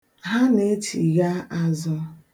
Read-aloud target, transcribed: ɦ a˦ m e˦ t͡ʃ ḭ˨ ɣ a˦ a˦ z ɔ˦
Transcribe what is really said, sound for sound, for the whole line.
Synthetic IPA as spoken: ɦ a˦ n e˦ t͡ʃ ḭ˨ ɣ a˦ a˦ z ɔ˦

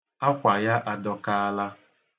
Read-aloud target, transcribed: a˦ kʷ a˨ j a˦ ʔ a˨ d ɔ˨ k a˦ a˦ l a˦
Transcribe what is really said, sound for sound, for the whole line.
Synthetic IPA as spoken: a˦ kʷ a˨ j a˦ ʔ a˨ d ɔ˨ k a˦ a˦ l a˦

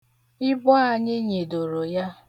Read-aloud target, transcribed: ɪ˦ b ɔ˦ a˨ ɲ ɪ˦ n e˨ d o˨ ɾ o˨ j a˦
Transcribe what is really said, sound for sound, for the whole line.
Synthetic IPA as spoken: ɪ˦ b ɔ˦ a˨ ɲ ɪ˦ ɲ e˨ d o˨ ɾ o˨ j a˦

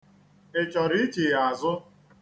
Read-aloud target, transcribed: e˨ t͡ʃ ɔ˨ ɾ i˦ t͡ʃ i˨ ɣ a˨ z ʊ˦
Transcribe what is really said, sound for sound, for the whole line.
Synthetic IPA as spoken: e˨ t͡ʃ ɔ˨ ɾ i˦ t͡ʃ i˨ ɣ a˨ z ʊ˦

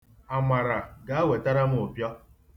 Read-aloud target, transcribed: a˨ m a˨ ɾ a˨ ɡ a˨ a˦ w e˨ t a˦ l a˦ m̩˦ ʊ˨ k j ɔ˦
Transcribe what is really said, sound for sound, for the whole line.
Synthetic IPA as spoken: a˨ m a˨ ɾ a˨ ɡ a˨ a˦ w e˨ t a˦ ɾ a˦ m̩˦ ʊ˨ p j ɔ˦

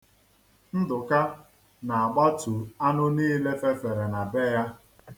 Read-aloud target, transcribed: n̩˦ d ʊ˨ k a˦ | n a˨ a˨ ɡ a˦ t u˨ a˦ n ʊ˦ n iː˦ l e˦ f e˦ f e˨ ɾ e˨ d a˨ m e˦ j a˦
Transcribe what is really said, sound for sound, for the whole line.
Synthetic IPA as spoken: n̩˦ d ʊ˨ k a˦ | n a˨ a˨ ɡ͡b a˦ t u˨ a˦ n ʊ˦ n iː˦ l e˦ f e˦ f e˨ ɾ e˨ n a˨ b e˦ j a˦

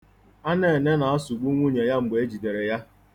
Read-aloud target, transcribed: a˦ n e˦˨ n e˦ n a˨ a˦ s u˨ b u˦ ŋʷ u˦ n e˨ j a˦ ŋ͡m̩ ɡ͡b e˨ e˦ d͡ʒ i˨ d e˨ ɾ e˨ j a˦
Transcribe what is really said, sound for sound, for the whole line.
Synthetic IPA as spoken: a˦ n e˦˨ n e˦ n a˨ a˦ s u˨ ɡ͡b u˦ ŋʷ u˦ ɲ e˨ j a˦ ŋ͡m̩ ɡ͡b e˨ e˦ d͡ʒ i˨ d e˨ ɾ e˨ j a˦

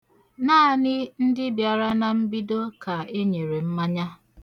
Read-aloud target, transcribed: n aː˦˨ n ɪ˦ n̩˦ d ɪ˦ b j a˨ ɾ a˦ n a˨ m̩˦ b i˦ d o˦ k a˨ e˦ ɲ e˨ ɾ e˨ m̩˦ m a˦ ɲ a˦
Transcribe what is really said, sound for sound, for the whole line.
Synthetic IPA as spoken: n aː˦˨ n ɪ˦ n̩˦ d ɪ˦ b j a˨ ɾ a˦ n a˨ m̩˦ b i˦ d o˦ k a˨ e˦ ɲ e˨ ɾ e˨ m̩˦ m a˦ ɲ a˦

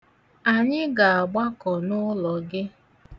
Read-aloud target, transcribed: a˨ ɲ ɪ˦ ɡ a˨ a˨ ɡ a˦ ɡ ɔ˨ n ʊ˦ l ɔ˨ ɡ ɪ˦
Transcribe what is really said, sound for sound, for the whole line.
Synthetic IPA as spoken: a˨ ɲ ɪ˦ ɡ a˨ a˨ ɡ͡b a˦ k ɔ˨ n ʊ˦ l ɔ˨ ɡ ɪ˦

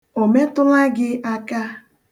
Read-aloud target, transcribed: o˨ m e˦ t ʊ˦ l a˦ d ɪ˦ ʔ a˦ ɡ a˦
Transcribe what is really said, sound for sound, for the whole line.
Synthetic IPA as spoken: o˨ m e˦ t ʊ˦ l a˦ ɡ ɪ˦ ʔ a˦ k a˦

